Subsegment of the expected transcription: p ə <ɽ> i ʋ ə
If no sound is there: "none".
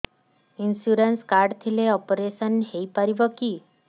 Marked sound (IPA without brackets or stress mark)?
ɾ